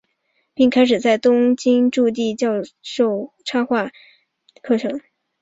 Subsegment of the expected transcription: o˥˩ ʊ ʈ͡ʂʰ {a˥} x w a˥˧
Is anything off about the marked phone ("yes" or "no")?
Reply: no